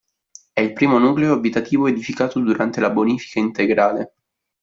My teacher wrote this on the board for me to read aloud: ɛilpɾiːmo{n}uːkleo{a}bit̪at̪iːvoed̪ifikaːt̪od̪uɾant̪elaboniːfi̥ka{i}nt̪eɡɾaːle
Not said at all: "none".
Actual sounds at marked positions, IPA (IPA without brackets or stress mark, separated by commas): n, a, i